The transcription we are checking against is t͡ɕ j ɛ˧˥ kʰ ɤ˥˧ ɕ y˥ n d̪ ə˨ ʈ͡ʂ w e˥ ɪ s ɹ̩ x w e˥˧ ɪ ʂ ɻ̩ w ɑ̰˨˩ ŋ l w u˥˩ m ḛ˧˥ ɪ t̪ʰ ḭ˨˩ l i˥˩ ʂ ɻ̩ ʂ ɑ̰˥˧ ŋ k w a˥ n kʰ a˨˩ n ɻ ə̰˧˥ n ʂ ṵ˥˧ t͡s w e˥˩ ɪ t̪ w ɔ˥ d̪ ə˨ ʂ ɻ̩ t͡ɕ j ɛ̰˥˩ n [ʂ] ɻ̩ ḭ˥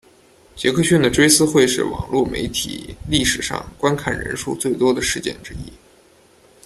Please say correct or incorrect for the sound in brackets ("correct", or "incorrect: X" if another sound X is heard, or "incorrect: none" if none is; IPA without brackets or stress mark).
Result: incorrect: ʈ͡ʂ